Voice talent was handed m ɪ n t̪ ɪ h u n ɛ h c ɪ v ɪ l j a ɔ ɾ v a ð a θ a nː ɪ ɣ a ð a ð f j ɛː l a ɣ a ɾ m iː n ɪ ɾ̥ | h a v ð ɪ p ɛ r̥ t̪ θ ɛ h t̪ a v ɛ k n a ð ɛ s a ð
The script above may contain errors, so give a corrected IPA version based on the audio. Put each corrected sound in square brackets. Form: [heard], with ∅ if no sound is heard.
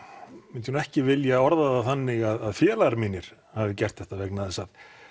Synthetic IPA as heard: m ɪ n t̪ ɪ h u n ɛ h c ɪ v ɪ l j a ɔ ɾ [ð] a ð a θ a nː ɪ ɣ a ð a ð f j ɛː l a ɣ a ɾ m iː n ɪ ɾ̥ | h a v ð ɪ [c] ɛ r̥ t̪ θ ɛ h t̪ a v ɛ k n a ð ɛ s a ð